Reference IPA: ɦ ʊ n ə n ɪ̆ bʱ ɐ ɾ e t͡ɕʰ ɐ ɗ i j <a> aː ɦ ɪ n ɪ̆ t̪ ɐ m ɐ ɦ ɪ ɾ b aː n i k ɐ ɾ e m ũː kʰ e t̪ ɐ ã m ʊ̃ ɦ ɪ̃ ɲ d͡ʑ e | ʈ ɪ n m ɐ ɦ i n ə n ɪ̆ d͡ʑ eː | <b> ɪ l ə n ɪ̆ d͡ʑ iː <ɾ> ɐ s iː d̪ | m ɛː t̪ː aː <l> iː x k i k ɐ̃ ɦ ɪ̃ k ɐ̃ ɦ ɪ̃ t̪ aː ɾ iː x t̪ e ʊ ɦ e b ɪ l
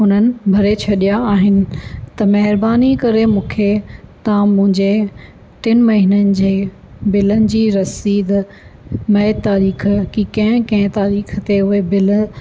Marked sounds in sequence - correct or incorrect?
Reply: correct, correct, correct, incorrect: ɾ

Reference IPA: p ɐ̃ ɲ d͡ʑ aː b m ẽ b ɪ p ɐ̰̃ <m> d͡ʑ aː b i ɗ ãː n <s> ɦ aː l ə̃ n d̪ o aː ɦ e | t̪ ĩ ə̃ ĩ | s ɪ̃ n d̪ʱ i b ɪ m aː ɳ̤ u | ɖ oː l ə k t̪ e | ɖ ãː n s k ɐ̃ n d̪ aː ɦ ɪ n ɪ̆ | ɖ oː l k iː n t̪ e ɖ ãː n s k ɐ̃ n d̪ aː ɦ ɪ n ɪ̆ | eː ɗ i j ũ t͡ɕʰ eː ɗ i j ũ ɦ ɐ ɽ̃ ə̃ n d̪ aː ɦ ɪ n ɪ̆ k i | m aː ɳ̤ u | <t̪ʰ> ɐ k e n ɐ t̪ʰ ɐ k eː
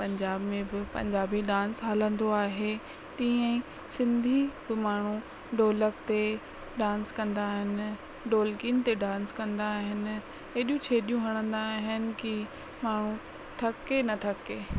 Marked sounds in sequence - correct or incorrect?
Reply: incorrect: ɲ, correct, correct

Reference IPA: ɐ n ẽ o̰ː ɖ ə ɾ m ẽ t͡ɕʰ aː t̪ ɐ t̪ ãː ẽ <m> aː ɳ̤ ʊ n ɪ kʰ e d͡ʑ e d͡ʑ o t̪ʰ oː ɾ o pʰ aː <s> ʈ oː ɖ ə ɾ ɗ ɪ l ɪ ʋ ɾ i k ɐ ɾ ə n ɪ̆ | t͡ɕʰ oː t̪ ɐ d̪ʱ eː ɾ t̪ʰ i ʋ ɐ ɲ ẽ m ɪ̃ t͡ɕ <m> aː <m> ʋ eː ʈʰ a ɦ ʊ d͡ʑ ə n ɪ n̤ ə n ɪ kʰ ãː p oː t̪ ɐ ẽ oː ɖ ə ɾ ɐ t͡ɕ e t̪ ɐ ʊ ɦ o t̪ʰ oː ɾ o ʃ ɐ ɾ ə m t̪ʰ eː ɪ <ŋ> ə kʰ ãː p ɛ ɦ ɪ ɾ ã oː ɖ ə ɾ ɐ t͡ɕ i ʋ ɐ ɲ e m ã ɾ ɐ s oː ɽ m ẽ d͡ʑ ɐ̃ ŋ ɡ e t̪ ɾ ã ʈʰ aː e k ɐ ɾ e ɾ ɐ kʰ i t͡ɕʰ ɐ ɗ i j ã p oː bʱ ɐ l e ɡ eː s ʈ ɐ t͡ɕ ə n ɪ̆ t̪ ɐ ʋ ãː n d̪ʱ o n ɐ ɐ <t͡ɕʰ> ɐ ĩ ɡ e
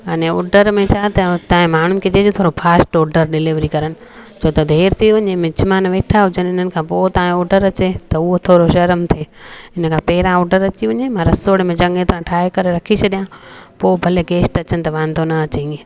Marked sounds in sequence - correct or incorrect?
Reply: correct, correct, correct, incorrect: n, incorrect: n, incorrect: t͡ɕ

